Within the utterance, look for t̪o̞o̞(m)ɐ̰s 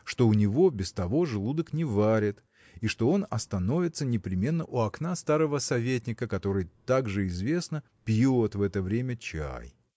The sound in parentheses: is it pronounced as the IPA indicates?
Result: no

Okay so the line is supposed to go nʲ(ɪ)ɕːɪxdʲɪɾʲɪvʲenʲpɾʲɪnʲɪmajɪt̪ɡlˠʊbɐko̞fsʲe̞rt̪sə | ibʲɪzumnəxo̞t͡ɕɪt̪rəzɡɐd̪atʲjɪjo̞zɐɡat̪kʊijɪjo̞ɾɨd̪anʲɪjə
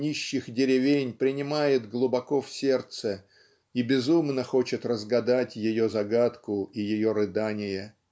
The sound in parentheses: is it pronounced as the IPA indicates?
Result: no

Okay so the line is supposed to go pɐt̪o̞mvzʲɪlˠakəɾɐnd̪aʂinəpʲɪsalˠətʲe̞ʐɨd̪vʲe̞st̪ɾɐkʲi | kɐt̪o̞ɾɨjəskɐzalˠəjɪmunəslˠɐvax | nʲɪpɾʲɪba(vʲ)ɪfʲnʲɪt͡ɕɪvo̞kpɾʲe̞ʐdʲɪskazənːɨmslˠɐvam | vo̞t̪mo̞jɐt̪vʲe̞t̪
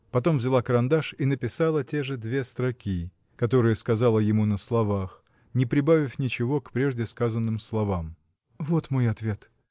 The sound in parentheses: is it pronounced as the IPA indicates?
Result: yes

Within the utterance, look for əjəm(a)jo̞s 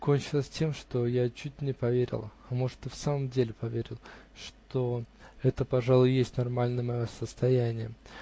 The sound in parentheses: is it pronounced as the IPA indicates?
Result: no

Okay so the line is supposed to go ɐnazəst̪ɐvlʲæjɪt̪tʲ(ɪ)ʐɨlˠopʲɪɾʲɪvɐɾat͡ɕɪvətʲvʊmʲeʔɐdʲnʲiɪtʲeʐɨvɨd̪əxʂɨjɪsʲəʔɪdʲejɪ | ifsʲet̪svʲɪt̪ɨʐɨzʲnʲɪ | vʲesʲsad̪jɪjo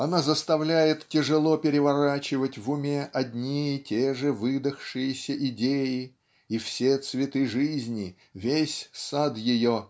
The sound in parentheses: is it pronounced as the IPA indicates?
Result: yes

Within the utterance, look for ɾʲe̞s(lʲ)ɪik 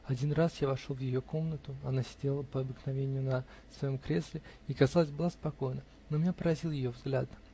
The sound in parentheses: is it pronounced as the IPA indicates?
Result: yes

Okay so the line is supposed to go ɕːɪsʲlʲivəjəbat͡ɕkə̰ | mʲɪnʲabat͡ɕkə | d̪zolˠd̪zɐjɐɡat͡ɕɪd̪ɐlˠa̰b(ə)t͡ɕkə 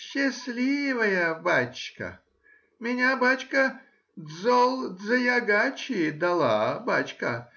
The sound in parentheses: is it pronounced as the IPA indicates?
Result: no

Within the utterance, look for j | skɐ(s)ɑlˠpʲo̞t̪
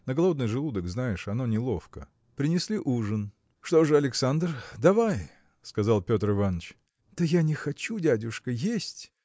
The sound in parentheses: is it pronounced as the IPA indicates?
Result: no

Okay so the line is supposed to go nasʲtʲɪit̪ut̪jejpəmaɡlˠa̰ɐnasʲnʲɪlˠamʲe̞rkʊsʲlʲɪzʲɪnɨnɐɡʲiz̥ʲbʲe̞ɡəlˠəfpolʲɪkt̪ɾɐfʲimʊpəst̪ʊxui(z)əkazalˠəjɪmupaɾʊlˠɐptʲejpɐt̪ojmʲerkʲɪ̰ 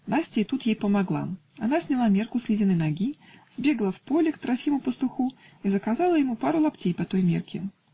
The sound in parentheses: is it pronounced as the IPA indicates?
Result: yes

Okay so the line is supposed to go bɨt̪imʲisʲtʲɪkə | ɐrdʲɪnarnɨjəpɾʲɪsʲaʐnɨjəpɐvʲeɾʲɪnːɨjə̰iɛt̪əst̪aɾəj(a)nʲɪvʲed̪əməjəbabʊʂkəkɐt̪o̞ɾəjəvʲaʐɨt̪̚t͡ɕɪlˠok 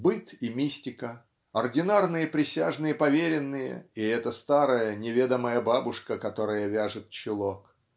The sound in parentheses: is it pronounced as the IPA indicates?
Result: no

